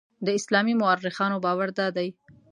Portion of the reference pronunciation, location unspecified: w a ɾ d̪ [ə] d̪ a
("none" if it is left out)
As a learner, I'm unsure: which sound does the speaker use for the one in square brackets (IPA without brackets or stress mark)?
ɑ